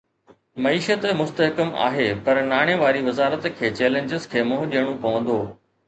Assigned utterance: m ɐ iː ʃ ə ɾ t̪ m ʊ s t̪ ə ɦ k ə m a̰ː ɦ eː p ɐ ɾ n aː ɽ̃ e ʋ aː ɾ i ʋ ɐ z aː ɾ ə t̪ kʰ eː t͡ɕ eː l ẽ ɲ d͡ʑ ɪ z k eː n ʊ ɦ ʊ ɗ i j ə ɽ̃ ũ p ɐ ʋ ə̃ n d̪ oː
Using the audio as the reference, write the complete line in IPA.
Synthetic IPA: m ɐ iː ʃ ə t̪ m ʊ s t̪ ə ɦ k ə m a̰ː ɦ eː p ɐ ɾ n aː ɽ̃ e ʋ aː ɾ i ʋ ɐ z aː ɾ ə t̪ kʰ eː t͡ɕ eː l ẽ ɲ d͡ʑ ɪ z kʰ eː m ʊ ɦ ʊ ɗ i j ə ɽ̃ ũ p ɐ ʋ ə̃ n d̪ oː